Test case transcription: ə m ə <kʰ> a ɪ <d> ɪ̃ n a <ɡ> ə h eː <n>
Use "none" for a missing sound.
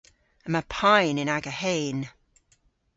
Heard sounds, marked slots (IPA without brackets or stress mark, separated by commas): pʰ, n, ɡ, n